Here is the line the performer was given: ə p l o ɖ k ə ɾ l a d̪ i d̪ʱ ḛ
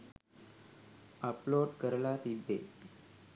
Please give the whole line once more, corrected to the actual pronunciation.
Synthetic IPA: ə p l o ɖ k ə ɾ l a t̪ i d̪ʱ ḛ